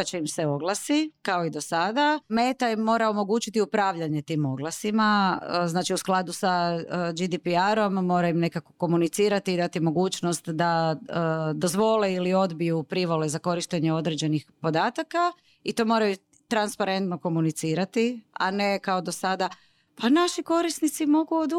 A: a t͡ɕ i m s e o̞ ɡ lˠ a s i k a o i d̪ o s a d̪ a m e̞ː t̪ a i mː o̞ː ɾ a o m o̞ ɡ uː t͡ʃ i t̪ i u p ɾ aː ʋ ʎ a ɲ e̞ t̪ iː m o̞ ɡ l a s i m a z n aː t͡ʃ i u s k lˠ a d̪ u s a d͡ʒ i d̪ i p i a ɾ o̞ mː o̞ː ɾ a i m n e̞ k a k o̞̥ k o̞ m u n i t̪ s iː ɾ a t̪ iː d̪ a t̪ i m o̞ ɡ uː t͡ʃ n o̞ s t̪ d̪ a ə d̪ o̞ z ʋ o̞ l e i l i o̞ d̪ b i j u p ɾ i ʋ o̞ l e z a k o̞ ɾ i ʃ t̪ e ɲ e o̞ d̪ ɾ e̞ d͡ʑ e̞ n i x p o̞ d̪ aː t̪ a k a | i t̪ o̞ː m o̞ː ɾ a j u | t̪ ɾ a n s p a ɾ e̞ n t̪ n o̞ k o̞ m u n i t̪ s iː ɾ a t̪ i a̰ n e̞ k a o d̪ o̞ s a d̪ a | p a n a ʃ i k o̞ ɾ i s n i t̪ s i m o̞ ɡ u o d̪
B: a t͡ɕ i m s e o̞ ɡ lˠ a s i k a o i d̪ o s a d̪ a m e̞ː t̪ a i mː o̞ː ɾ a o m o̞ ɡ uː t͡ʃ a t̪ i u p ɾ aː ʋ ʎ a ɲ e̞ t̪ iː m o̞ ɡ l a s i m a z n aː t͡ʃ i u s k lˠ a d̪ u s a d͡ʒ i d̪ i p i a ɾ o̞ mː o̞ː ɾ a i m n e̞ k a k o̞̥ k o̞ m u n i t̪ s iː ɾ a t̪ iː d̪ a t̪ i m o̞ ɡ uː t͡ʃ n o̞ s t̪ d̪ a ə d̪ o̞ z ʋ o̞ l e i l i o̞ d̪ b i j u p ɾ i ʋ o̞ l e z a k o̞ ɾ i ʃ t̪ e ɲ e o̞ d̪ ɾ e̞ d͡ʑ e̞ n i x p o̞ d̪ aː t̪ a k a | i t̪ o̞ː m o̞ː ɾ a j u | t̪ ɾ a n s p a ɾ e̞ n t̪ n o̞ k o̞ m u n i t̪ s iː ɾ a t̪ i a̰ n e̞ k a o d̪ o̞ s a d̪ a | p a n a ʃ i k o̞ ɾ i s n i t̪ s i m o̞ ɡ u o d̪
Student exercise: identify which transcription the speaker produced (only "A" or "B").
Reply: A